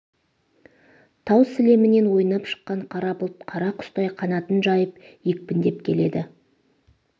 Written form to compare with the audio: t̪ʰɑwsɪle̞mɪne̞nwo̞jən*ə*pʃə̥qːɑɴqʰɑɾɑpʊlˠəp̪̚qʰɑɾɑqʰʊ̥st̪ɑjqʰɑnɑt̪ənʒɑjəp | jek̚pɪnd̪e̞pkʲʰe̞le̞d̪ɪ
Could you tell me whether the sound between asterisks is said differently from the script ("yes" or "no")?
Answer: yes